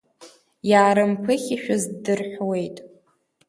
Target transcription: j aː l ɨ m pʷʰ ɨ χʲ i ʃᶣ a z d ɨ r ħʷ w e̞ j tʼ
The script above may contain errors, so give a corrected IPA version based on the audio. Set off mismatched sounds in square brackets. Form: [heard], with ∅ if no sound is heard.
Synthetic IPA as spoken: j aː [ɾ] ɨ m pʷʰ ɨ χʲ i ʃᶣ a z d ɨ r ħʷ w e̞ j tʼ